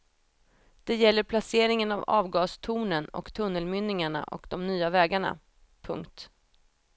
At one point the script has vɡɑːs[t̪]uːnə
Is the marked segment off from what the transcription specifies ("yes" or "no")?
yes